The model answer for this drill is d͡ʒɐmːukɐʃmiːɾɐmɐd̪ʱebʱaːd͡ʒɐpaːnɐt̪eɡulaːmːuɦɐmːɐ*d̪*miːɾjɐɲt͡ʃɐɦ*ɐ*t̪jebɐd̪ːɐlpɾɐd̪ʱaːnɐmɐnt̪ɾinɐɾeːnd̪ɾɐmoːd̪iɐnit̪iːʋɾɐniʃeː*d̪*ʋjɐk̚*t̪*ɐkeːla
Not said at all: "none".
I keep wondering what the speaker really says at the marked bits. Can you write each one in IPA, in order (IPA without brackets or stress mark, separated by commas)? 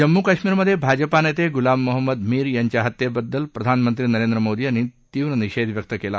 d̪, ɐ, d̪, t̪